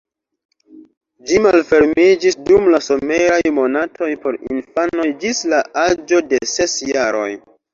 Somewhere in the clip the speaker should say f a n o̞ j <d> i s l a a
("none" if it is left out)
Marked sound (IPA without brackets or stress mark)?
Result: d͡ʒ